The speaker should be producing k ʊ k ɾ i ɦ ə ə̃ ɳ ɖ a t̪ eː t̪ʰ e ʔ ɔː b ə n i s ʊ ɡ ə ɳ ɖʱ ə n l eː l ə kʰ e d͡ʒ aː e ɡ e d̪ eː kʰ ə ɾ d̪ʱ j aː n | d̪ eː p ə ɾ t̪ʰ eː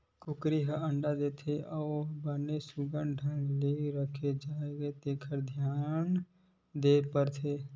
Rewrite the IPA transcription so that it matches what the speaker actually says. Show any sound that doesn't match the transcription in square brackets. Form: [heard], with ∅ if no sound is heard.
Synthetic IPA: k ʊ k ɾ i ɦ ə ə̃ ɳ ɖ a [d̪] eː t̪ʰ e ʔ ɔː b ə n [e] s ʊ ɡ ə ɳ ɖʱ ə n l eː [ɾ] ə kʰ e d͡ʒ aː e ɡ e [t̪] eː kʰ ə ɾ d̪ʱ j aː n | d̪ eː p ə ɾ t̪ʰ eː